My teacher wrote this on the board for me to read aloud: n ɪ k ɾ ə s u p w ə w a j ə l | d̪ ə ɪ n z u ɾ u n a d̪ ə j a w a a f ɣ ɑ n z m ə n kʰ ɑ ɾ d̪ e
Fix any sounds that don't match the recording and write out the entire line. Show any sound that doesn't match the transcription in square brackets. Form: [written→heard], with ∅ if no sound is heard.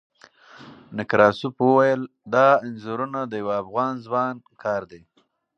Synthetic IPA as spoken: n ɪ k ɾ [ə→ɑ] s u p w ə w a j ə l | d̪ [ə→ɑ] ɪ n z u ɾ u n a d̪ ə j a w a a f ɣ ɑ n z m [ə→ɑ] n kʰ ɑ ɾ d̪ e